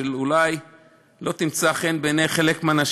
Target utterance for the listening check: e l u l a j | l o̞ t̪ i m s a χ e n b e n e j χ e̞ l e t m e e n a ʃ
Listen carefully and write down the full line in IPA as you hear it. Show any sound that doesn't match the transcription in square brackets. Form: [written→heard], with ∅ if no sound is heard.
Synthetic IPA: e l u l a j | l o̞ t̪ i m [s→t͡s] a χ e n b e n e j χ e̞ l e [t→k] m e [e→a] n a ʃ